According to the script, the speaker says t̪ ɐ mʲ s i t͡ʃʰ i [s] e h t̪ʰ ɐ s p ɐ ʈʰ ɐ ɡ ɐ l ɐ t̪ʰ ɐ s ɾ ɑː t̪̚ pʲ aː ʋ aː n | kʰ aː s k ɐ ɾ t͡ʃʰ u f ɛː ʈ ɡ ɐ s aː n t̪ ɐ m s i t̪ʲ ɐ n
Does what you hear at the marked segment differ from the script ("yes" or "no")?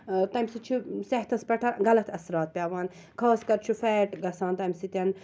no